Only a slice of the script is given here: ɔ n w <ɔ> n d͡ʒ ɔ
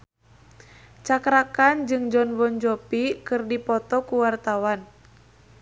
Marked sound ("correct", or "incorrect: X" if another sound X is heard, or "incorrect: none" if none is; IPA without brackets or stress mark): correct